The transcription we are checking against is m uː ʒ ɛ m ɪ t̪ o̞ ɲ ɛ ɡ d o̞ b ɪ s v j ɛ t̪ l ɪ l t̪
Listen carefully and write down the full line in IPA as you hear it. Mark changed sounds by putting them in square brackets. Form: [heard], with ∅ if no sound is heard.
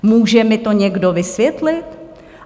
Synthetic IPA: m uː ʒ ɛ m ɪ t̪ o̞ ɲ ɛ ɡ d o̞ [v] ɪ s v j ɛ t̪ l ɪ [∅] t̪